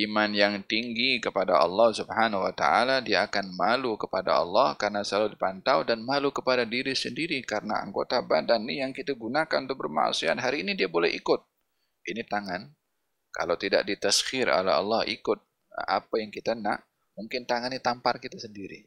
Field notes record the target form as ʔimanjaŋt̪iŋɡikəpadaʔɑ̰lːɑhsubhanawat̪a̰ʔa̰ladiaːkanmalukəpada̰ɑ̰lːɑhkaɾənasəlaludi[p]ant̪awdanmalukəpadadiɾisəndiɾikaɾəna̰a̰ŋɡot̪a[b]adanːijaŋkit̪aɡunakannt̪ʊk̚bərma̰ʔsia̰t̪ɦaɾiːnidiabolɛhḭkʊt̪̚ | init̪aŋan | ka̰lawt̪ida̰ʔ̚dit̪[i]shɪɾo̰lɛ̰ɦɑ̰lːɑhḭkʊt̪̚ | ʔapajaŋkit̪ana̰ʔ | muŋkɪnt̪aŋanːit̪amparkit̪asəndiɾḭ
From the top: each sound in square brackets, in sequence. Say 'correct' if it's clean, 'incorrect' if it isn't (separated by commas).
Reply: correct, correct, incorrect